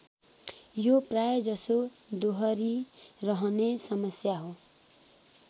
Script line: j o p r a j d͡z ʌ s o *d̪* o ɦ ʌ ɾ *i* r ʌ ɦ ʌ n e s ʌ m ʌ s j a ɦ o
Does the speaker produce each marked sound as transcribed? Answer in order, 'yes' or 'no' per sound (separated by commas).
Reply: yes, yes